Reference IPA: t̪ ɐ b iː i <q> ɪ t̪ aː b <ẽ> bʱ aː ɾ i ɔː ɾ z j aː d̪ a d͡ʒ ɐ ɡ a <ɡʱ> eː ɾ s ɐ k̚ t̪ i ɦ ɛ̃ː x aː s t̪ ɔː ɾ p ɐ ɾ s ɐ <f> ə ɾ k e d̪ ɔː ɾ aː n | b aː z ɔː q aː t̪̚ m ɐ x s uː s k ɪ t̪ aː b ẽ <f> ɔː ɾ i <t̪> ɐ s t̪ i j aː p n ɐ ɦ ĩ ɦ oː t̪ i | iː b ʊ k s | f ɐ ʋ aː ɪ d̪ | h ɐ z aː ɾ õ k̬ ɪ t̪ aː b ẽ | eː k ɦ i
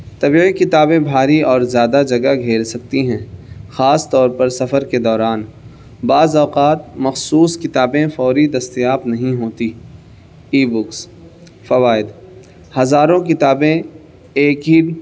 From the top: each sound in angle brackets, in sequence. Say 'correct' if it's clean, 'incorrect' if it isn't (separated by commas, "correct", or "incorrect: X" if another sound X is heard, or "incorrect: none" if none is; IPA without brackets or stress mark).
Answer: incorrect: k, correct, correct, correct, correct, incorrect: d̪